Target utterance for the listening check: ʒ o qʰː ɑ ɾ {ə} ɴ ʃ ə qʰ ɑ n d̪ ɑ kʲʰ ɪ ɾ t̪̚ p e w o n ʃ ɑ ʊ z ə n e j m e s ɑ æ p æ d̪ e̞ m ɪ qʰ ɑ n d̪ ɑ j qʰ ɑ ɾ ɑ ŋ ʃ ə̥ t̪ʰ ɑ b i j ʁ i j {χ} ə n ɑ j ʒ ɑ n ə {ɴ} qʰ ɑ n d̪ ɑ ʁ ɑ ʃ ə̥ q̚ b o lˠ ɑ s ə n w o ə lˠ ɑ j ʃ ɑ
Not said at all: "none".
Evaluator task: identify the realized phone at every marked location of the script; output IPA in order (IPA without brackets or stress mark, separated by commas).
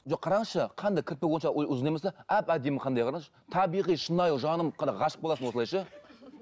ɑ, ʃ, m